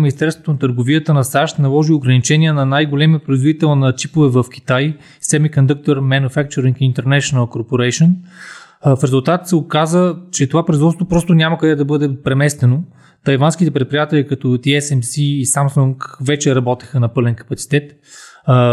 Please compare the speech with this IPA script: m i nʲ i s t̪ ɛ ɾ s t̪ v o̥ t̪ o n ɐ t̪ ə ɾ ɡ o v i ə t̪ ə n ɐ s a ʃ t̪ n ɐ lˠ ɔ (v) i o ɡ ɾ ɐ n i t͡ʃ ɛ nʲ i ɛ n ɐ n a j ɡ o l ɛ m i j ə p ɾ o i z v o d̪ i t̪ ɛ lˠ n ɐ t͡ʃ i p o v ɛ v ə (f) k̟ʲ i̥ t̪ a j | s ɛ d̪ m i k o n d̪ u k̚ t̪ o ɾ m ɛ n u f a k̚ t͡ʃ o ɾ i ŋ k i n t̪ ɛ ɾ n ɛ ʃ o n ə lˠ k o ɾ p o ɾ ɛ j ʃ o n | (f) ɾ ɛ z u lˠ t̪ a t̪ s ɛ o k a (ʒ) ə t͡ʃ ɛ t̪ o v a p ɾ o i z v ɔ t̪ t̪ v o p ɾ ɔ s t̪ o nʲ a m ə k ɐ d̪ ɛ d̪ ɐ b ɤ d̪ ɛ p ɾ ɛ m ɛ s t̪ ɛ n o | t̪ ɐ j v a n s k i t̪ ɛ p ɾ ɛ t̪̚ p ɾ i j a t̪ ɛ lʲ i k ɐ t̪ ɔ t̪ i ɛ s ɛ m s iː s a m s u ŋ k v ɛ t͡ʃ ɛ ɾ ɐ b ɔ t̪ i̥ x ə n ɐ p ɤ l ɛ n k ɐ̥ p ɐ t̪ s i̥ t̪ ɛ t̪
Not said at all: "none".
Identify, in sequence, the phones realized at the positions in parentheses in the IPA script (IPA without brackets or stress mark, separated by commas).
ʒ, f, f, z